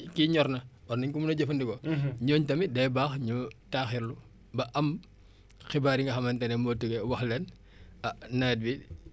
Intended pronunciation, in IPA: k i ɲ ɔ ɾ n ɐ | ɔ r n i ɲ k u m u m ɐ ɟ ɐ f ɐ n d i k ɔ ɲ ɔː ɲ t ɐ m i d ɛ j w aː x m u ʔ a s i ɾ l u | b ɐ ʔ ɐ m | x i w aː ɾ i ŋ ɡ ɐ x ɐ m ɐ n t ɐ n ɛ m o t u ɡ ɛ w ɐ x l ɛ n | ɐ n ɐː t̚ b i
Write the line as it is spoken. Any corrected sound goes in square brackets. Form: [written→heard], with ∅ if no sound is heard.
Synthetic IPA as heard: k i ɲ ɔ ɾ n ɐ | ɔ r n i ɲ k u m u [m→n] ɐ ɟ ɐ f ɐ n d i k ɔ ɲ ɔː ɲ t ɐ m i d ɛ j [w→b] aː x [m→ɲ] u [ʔ→t] a [s→x] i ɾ l u | b ɐ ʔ ɐ m | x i [w→b] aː ɾ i ŋ ɡ ɐ x ɐ m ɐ n t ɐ n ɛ m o t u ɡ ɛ w ɐ x l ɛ n | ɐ n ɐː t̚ b i